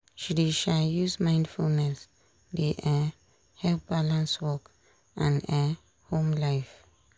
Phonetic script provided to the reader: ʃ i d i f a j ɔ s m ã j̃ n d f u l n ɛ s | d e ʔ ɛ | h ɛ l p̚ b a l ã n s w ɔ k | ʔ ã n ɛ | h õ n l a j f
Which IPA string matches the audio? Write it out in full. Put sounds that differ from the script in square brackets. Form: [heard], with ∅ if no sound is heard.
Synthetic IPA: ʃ i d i [ʃ] a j [u] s m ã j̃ n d f u l n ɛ s | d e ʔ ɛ | h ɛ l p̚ b a l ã n s w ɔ k | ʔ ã n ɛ | h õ [m] l a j f